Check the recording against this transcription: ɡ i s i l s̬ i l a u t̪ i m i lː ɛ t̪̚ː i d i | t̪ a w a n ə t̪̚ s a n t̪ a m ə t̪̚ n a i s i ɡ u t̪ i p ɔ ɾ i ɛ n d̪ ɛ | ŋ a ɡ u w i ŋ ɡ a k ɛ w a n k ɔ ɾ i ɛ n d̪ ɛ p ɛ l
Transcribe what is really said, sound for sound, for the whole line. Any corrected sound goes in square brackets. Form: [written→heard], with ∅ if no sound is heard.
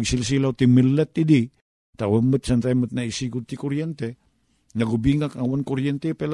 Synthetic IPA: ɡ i s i l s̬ i l a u t̪ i m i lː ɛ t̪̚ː i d i | t̪ a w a [n→m] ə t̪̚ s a n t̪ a m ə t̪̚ n a i s i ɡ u t̪ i [p→k] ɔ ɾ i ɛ n [d̪→t̪] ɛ | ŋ a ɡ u [w→b] i ŋ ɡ a k [ɛ→a] w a n k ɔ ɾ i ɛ n [d̪→t̪] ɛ p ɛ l